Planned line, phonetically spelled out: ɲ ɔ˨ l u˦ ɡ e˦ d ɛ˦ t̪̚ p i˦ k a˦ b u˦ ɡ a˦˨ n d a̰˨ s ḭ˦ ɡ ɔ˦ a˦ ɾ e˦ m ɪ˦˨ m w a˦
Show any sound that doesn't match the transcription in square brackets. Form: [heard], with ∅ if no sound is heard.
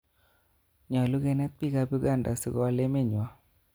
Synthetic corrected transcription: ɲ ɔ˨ l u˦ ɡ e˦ [n] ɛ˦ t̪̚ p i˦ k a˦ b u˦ ɡ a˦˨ n d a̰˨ s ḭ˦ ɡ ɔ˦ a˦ [l] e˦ m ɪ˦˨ [ɲ] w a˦